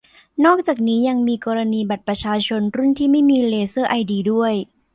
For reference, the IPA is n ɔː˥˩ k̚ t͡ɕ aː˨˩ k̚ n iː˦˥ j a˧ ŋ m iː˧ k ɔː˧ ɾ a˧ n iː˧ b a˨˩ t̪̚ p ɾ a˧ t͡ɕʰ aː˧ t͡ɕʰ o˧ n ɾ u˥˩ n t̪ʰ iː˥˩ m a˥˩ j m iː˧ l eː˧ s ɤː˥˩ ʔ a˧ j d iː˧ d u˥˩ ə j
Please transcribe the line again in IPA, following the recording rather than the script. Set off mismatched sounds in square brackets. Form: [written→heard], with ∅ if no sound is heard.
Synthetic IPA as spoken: n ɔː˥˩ k̚ t͡ɕ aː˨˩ k̚ n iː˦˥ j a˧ ŋ m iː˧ k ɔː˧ ɾ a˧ n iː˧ b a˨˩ t̪̚ p ɾ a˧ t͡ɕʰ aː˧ t͡ɕʰ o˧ n ɾ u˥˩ n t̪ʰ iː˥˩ m a˥˩ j m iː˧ l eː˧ s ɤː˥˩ ʔ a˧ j d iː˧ d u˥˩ ə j